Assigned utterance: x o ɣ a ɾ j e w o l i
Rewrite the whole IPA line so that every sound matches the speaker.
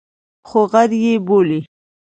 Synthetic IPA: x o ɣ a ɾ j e b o l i